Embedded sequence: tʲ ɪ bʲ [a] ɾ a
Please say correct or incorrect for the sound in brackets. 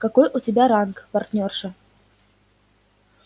correct